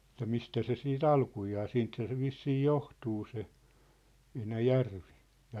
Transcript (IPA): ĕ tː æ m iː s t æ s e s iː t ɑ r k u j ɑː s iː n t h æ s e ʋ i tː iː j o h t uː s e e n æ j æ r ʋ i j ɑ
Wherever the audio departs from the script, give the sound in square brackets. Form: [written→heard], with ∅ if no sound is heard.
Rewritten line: ĕ tː æ m [iː→i] s t æ s e s iː t ɑ [r→l] k u j ɑː s iː n t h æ s e ʋ i [tː→sː] iː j o h t uː s e e n æ j æ r ʋ i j ɑ

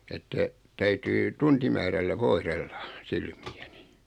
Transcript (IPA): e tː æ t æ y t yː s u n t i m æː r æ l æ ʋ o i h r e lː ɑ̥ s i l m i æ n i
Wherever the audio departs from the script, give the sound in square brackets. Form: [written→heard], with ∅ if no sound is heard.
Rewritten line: e tː æ t æ y t yː [s→t] u n t i m æː r æ [l→lː] æ ʋ o i h r e lː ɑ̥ s i l m i æ n i

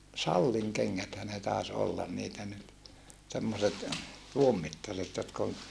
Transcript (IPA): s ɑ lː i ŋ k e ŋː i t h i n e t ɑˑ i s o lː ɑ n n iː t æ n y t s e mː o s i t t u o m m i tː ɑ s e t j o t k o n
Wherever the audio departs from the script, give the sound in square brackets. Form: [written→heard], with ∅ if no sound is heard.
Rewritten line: s ɑ lː i ŋ k e ŋː [i→æ] t h [i→æ] n e t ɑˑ [i→e] s o lː ɑ n n iː t æ n y t s e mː o s [i→e] t t u o m m i tː ɑ s e t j o t k o n

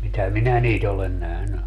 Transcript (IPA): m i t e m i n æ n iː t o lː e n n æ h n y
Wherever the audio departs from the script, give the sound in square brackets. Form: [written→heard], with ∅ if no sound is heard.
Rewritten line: m i t [e→æ] m i n æ n iː t o [lː→l] e n n æ h n y

